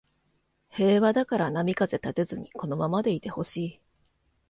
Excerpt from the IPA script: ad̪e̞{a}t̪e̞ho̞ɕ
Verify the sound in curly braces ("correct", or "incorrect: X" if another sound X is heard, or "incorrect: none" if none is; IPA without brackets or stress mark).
incorrect: i